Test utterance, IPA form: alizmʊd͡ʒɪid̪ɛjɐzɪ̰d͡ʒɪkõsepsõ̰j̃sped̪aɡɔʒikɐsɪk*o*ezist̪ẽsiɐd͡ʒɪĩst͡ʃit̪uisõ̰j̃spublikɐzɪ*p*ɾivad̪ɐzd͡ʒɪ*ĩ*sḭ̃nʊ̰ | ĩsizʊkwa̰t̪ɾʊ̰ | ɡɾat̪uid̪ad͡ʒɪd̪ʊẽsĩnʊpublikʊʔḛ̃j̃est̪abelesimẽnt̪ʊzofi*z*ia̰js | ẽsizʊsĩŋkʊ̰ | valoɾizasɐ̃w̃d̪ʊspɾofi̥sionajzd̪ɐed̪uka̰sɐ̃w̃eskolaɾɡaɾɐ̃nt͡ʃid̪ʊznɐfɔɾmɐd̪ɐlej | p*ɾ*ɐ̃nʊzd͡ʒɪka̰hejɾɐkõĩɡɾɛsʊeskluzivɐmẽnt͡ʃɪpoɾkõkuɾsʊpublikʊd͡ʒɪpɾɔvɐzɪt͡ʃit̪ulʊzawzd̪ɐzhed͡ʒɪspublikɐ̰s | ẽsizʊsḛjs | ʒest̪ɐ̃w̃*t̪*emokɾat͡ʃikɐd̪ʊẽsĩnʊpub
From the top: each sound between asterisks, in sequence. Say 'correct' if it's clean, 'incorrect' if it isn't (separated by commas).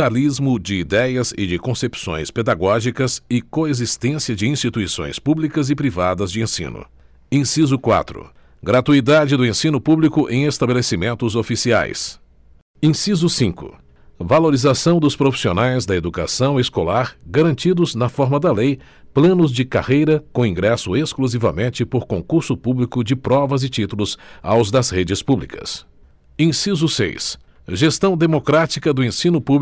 correct, correct, incorrect, incorrect, incorrect, incorrect